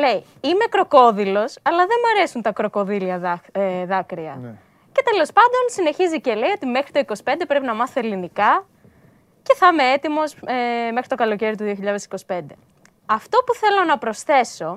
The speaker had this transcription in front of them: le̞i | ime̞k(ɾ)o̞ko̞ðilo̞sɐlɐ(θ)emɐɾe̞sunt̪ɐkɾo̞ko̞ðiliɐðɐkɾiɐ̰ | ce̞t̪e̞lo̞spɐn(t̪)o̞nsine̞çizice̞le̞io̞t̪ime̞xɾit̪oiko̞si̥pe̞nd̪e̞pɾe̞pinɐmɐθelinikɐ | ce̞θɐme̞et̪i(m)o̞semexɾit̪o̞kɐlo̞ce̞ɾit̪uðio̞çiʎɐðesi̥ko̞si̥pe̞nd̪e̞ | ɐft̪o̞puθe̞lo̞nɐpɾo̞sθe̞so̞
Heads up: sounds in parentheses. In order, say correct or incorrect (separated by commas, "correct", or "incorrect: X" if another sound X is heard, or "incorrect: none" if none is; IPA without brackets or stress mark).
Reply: correct, incorrect: ð, incorrect: d̪, correct